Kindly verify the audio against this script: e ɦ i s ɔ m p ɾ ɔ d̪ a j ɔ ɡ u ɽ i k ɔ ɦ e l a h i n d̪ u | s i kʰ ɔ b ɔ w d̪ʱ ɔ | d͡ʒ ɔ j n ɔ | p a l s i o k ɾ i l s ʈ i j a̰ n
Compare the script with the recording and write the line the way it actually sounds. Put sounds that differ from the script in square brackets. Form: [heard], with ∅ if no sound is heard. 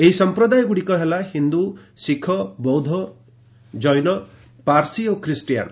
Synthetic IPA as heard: e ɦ i s ɔ m p ɾ ɔ d̪ a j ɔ ɡ u ɽ i k ɔ ɦ e l a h i n d̪ u | s i kʰ ɔ b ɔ w d̪ʱ ɔ | d͡ʒ ɔ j n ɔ | p a [ɾ] s i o k ɾ i [∅] s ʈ i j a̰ n

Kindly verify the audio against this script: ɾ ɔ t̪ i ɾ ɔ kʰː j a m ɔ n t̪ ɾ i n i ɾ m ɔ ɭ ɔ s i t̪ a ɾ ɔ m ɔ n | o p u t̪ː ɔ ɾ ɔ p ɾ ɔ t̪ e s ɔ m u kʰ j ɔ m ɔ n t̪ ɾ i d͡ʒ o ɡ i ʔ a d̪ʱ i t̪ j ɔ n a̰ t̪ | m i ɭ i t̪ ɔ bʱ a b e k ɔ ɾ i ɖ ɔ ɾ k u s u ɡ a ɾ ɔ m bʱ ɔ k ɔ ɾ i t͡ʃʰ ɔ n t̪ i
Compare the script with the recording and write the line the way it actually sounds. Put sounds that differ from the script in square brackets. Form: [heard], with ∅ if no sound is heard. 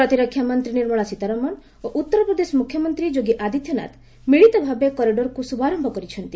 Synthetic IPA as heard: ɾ ɔ t̪ i ɾ ɔ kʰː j a m ɔ n t̪ ɾ i n i ɾ m ɔ ɭ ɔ s i t̪ a ɾ ɔ m ɔ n | o [ʔ] u t̪ː ɔ ɾ ɔ p ɾ ɔ [d̪] e s ɔ m u kʰ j ɔ m ɔ n t̪ ɾ i d͡ʒ o ɡ i ʔ a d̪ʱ i t̪ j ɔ n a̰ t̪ | m i ɭ i t̪ ɔ bʱ a b e k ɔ ɾ i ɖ ɔ ɾ k u s u [b] a ɾ ɔ m bʱ ɔ k ɔ ɾ i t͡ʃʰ ɔ n t̪ i

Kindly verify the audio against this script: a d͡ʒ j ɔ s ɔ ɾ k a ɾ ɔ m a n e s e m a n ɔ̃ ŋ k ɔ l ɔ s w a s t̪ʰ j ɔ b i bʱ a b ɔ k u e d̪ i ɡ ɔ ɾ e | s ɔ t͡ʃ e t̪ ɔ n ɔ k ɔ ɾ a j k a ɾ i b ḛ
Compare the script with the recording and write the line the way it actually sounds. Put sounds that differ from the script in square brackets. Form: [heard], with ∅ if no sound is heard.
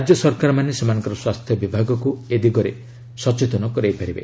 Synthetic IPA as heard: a d͡ʒ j ɔ s ɔ ɾ k a ɾ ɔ m a n e s e m a n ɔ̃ ŋ k ɔ [ɾ] ɔ s w a s t̪ʰ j ɔ b i bʱ a [ɡ] ɔ k u e d̪ i ɡ ɔ ɾ e | s ɔ t͡ʃ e t̪ ɔ n ɔ k ɔ ɾ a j [p] a ɾ i b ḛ

